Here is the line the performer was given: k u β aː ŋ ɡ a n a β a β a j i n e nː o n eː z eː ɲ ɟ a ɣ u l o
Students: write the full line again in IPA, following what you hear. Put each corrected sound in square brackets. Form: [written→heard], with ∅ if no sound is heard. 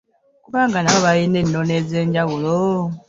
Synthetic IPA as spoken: k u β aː ŋ ɡ a n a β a β a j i n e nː o n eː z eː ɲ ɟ a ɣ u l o